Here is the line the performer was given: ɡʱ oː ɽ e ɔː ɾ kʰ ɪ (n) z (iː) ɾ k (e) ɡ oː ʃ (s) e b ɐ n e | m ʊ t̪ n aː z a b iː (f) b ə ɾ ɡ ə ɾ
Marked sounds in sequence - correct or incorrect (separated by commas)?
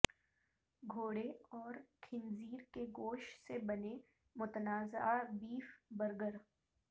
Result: correct, correct, correct, correct, correct